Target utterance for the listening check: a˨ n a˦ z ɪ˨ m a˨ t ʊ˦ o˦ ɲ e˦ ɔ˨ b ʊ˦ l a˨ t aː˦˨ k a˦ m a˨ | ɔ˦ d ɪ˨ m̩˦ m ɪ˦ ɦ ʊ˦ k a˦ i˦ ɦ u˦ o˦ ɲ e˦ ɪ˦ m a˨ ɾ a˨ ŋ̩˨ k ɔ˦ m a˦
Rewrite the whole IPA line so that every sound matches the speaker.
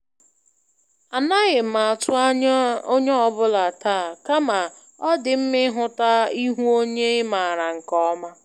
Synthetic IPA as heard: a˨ n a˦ ɣ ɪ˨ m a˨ t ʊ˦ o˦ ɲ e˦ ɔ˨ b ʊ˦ l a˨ t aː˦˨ k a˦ m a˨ | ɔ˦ d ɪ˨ m̩˦ m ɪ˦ ɦ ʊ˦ t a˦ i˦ ɦ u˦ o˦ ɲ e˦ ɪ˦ m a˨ ɾ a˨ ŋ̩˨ k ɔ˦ m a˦